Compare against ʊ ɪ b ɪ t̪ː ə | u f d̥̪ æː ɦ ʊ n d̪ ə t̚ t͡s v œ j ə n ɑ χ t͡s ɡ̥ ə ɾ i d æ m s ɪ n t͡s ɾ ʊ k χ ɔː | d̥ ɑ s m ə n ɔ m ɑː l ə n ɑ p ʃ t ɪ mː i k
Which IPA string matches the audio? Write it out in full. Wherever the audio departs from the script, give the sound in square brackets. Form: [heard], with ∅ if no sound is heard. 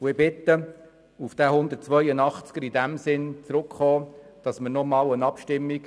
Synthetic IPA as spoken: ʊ ɪ b ɪ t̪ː ə | u f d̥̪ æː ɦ ʊ n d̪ ə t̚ t͡s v œ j ə n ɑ χ t͡s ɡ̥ ə ɾ i d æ m s ɪ n t͡s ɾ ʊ k χ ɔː | d̥ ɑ s m ə n ɔ m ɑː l ə n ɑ p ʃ t ɪ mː i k